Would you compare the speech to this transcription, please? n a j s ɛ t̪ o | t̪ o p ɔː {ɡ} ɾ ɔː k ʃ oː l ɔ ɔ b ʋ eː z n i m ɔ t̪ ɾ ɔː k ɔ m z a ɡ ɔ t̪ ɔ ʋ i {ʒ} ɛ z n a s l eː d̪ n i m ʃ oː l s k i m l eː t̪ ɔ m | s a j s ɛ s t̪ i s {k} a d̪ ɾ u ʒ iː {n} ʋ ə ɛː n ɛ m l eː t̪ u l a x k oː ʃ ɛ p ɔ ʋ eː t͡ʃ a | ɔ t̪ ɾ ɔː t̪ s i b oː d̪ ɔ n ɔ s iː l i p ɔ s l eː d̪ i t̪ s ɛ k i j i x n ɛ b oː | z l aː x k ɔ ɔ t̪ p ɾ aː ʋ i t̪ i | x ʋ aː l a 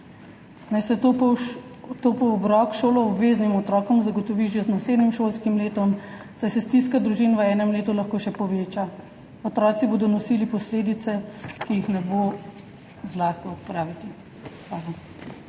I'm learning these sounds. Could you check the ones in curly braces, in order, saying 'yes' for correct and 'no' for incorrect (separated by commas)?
no, yes, yes, yes